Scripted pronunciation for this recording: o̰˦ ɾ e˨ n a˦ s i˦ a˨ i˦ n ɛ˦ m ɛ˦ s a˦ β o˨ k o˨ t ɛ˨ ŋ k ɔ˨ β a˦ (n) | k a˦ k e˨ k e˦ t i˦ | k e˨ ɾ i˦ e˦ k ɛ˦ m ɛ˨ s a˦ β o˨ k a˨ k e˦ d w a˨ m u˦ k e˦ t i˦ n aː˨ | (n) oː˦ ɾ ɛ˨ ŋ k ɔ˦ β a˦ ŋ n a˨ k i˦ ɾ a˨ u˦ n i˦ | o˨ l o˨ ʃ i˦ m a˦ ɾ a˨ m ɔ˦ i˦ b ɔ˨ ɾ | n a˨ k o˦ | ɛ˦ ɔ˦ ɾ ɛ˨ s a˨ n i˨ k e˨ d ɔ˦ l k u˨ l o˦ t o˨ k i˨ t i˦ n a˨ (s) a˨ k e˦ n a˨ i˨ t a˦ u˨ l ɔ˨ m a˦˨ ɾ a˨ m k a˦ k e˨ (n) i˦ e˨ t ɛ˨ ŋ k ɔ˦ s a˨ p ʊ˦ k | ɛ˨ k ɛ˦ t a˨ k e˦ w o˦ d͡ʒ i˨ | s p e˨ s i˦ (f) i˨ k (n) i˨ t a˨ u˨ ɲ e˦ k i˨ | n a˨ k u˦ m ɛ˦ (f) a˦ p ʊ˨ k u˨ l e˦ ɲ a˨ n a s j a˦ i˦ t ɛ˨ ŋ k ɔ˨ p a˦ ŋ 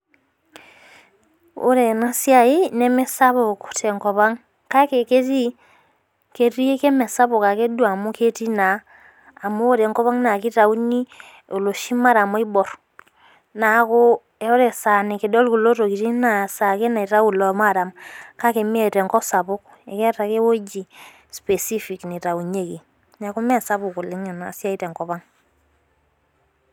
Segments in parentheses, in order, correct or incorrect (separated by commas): incorrect, incorrect, correct, incorrect, correct, correct, incorrect